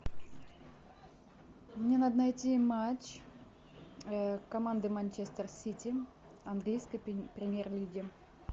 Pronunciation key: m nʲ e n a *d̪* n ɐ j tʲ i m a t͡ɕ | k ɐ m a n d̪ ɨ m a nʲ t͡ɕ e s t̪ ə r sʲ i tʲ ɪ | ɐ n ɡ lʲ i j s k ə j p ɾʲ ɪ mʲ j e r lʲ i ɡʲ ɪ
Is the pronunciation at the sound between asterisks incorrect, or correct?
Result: correct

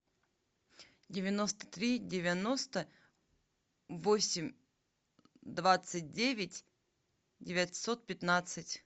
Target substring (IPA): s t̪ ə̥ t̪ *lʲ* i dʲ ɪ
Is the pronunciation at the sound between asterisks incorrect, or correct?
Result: incorrect: ɾʲ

